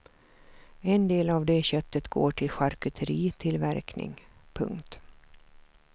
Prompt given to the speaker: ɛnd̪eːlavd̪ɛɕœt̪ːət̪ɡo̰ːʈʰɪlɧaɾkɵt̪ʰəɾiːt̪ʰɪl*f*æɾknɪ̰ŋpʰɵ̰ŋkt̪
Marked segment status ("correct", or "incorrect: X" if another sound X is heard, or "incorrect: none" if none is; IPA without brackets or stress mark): incorrect: v